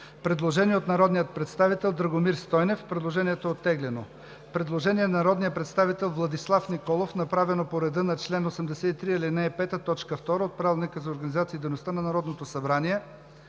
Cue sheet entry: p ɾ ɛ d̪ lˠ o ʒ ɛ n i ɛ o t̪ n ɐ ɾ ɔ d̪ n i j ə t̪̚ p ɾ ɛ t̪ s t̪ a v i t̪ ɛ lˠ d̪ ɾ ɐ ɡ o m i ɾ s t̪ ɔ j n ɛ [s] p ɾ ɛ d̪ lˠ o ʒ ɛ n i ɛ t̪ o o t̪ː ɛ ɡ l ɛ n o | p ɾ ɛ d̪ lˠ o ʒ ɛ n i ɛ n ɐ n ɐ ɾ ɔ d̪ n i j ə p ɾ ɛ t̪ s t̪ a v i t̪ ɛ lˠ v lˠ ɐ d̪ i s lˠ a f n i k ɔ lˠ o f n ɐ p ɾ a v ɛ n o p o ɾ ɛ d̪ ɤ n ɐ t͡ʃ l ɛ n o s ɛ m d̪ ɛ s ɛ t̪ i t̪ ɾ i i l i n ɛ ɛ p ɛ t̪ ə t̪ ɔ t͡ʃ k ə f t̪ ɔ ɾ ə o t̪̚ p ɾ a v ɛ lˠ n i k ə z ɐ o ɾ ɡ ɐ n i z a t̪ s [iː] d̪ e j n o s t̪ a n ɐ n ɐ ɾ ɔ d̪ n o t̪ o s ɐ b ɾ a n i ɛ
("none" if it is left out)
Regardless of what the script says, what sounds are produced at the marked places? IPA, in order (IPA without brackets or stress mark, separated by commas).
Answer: f, iː